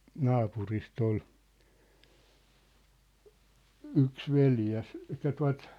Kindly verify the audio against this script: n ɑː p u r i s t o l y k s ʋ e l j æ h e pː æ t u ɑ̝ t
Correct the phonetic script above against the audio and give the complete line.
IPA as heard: n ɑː p u r i s t o l y k s ʋ e l j æ s e tː æ t u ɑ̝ t

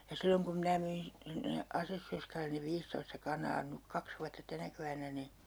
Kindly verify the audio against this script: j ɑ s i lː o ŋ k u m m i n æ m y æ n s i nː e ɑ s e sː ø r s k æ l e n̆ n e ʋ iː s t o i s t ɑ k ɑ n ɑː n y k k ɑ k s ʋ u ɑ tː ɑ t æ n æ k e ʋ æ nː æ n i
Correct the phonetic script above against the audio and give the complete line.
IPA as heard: j ɑ s i lː o ŋ k u m m i n æ m y i n s i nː e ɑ s e sː ø r s k æ l e n̆ n e ʋ iː s t o i s t ɑ k ɑ n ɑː n y k k ɑ k s ʋ u ɑ tː ɑ t æ n æ k e ʋ æ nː æ n i

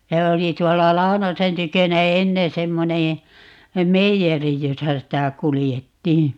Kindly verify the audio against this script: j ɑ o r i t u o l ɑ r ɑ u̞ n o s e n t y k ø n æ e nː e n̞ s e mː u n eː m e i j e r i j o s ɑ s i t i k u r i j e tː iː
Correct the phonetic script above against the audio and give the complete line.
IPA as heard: j ɑ o l i t u o lː ɑ l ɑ u̞ n o s e n t y k ø n æ e nː e n̞ s e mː o n eː m e i j e r i j o s ɑ s i t æ k u l i j e tː iː

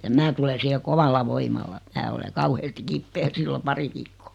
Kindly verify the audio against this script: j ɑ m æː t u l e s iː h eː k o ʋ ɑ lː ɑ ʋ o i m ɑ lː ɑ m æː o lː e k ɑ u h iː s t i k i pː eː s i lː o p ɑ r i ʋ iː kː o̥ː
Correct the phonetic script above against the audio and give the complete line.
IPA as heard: j ɑ m æː t u l e s iː h e k o ʋ ɑ lː ɑ ʋ o i m ɑ lː ɑ m æː o l e k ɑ u h eː s t i k i pː eː s i lː o p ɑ r i ʋ iː kː o̥ː

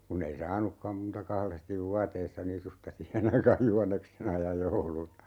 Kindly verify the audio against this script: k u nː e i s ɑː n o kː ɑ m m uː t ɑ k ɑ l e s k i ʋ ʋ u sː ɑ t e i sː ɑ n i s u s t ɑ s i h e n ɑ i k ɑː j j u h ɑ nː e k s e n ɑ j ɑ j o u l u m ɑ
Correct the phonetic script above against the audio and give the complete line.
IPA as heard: k u nː e i s ɑː n u kː ɑ m m uː t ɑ k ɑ l e s t i ʋ ʋ u ɑ t e i sː ɑ n i s u s t ɑ s i h e n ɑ i k ɑː j j u h ɑ nː e k s e n ɑ j ɑ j o u l u n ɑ

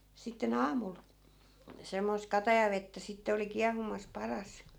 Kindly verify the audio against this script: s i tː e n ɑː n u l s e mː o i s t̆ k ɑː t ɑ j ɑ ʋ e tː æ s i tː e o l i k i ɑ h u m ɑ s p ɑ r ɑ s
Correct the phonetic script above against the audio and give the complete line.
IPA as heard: s i tː e n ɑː m u l s e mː o i s t̆ k ɑ t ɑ j ɑ ʋ e tː æ s i tː e o l i k i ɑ h u m ɑ s p ɑ r ɑ s

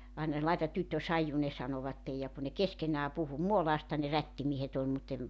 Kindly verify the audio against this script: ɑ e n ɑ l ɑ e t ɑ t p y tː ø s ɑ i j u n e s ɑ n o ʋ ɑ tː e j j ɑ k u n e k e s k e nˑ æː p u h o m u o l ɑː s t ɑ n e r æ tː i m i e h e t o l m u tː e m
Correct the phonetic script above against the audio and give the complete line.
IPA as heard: ɑ i n ɑ l ɑ e t ɑ t t y tː ø s ɑ i j u n e s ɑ n o ʋ ɑ tː e j j ɑ k u n e k e s k e nˑ æː p u h u m u o l ɑː s t ɑ n e r æ tː i m i e h e t o l m u tː e m

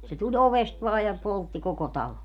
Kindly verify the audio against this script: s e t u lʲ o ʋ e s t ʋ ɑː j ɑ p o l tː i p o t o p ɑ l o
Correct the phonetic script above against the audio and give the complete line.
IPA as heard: s e t u lʲ o ʋ e s t ʋ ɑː j ɑ p o l tː i k o k o t ɑ l o

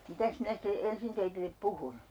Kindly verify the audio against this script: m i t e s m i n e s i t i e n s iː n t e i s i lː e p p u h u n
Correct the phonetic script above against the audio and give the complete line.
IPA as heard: m i t æ s m i n æ s i t e e n s i n t e i t i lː e p p u h u n

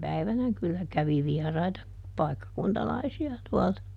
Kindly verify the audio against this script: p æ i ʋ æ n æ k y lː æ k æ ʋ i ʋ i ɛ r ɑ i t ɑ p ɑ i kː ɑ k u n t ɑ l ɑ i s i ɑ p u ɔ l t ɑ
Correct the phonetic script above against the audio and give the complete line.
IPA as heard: p æ i ʋ æ n æ k y lː æ k æ ʋ i ʋ i ɛ r ɑ i t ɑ p ɑ i kː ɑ k u n t ɑ l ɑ i s i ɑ t u ɔ l t ɑ

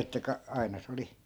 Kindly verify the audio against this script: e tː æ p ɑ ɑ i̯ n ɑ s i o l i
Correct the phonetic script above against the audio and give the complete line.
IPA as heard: e tː æ k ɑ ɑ i̯ n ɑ s e o l i

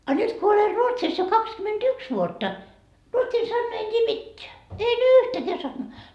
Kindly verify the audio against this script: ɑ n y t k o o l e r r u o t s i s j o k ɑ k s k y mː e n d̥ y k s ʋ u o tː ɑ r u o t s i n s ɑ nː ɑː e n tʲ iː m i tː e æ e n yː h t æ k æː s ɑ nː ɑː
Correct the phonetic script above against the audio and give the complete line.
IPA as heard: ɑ n y t k o o l e r r u o t s i s j o k ɑ k s k y m e n d̥ y k s ʋ u o tː ɑ r u o t s i n s ɑ nː ɑː e n tʲ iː m i tː e æ e n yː h t æ k æː s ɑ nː ɑː

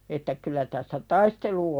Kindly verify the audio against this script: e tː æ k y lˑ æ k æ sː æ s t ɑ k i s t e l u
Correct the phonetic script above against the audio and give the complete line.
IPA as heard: e tː æ k y lˑ æ t æ sː æ t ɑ i s t e l u

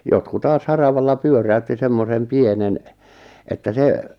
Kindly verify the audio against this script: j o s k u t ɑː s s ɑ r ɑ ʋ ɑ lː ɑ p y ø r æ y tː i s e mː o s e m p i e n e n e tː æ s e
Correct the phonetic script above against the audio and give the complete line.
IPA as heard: j o t k u t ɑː s h ɑ r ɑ ʋ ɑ lː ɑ p y ø r æ y tː i s e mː o s e m p i e n e n e tː æ s e

